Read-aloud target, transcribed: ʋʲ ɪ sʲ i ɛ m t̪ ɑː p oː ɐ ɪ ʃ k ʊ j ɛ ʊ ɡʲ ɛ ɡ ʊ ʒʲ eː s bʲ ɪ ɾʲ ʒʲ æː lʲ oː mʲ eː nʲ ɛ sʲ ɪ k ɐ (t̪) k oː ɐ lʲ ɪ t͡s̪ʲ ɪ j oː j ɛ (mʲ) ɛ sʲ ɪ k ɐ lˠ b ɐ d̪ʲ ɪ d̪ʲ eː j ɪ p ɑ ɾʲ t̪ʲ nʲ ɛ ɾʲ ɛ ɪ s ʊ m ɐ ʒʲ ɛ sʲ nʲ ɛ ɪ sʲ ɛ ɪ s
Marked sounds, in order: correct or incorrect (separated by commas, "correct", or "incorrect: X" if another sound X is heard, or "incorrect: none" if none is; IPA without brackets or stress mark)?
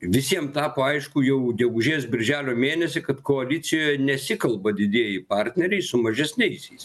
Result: correct, incorrect: nʲ